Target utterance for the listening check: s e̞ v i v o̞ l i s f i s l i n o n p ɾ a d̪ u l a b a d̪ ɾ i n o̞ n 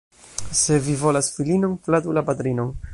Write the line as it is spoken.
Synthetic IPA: s e̞ v i v o̞ l a s f i l i n o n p l a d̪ u l a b a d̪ ɾ i n o̞ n